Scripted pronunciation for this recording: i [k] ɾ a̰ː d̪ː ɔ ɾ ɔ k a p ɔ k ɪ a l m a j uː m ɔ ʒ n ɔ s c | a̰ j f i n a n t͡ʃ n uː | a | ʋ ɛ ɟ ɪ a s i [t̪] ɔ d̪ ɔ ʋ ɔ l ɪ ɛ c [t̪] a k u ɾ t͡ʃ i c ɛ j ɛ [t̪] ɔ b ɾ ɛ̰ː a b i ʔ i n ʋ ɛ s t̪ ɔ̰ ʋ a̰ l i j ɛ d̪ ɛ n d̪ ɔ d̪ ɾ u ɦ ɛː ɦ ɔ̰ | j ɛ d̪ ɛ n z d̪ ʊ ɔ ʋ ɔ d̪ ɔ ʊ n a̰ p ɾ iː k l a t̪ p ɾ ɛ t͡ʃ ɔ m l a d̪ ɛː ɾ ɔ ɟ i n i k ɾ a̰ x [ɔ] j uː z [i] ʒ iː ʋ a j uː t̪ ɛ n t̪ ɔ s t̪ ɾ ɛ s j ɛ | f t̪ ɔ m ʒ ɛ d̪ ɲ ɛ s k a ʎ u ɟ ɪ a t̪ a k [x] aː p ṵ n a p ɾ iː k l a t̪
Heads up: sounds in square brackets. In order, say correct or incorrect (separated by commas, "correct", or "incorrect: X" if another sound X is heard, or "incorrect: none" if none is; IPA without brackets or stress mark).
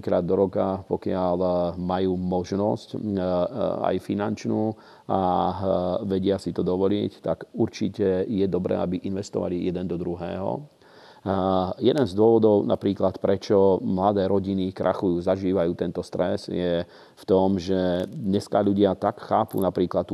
correct, correct, correct, incorrect: d̪, incorrect: u, incorrect: a, correct